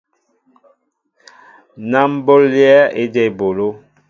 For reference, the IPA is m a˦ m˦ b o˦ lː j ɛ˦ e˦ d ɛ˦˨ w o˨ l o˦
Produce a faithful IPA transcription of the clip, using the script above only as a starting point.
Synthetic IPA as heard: n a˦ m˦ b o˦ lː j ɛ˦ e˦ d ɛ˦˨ b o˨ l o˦